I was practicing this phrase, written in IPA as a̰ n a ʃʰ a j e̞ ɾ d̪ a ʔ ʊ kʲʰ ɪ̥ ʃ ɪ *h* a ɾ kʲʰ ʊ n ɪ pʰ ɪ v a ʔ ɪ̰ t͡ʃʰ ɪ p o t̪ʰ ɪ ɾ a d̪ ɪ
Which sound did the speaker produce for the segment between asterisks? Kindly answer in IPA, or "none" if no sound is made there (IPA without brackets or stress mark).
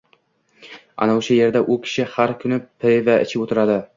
h